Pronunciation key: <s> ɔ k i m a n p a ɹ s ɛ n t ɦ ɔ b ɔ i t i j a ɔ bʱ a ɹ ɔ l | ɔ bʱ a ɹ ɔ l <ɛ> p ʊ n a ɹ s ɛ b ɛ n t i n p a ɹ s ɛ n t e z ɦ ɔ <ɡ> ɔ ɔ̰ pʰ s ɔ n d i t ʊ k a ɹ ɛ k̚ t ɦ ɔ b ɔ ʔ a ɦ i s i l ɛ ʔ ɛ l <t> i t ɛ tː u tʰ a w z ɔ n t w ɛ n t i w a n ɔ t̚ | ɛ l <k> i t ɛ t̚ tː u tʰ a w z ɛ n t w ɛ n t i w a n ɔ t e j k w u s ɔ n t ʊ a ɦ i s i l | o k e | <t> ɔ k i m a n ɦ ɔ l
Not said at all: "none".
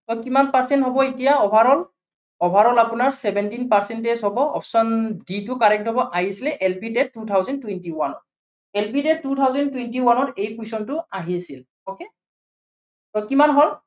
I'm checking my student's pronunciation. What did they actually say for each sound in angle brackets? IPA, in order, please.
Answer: t, a, b, p, p, t

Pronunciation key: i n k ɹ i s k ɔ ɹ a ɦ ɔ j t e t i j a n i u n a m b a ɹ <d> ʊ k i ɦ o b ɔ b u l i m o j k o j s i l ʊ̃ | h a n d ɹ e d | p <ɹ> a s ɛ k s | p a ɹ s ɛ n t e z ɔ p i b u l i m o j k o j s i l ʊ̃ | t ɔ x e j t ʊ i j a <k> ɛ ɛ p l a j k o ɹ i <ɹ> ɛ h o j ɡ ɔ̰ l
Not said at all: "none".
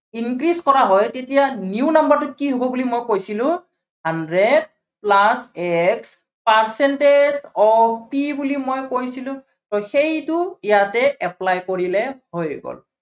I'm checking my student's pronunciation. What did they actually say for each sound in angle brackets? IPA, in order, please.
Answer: t, l, t, l

